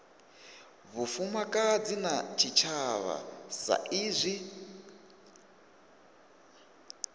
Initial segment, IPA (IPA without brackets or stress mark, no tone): β